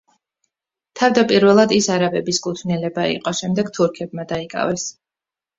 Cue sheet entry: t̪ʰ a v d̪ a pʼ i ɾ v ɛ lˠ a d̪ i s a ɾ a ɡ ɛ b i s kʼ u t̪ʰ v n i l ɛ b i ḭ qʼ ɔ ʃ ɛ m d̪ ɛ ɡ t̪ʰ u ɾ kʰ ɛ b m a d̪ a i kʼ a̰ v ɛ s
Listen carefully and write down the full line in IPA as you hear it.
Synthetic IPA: t̪ʰ a v d̪ a pʼ i ɾ v ɛ lˠ a d̪ i s a ɾ a b ɛ b i s kʼ u t̪ʰ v n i l ɛ b a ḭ qʼ ɔ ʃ ɛ m d̪ ɛ ɡ t̪ʰ u ɾ kʰ ɛ b m a d̪ a i kʼ a̰ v ɛ s